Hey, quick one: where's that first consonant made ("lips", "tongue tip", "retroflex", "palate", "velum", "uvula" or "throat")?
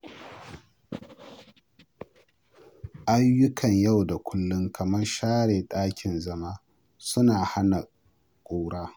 throat